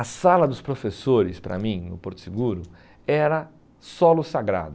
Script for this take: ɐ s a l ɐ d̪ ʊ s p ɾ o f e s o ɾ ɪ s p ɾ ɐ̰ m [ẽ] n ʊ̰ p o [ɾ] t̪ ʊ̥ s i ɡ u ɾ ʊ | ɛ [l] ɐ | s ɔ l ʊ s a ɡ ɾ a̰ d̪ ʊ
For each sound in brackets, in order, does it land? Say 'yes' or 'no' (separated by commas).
no, yes, no